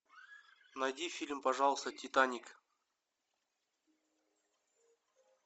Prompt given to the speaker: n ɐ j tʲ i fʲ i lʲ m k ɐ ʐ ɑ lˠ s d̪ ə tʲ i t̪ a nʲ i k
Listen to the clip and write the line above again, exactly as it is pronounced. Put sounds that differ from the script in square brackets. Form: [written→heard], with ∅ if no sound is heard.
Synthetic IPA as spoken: n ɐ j [tʲ→dʲ] i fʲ i lʲ m [k→p] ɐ ʐ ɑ lˠ s [d̪→t̪] ə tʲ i t̪ a nʲ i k